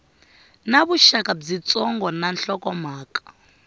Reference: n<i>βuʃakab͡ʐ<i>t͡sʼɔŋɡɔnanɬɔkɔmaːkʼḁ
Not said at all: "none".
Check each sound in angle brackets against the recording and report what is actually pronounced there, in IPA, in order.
a, i

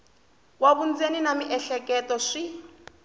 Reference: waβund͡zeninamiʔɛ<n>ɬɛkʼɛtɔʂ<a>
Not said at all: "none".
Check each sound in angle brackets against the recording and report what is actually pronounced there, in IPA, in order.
none, i

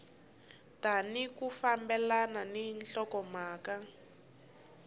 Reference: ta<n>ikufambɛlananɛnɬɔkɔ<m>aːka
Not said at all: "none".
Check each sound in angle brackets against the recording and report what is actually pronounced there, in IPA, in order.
n, m

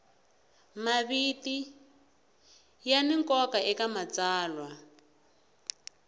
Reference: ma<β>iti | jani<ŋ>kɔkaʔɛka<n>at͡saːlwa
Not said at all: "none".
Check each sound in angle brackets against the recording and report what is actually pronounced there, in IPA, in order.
β, ŋ, m

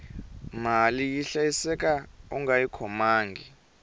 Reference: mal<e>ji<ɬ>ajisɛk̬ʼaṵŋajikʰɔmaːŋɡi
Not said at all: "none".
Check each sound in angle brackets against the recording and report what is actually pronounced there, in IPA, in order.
i, ɬ

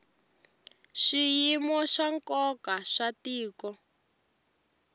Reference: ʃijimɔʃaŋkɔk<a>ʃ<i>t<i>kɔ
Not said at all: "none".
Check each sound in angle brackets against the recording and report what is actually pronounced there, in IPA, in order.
a, a, iː

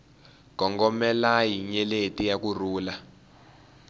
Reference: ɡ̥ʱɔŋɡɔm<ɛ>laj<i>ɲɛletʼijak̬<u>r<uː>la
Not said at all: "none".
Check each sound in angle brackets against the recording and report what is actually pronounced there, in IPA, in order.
ɛ, i, u, uː

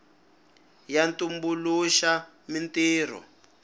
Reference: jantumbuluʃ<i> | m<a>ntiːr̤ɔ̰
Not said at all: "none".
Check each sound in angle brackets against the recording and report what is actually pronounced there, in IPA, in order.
a, i

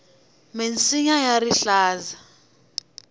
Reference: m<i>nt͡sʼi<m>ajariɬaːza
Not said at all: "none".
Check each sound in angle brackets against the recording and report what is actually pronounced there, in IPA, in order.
e, ɲ

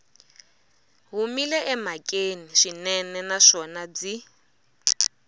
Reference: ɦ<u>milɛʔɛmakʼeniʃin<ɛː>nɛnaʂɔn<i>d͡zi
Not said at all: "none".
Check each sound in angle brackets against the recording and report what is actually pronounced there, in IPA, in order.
u, ɛ, a

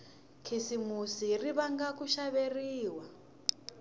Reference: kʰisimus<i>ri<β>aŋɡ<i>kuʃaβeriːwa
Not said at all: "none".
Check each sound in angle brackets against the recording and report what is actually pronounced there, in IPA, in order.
i, β, a

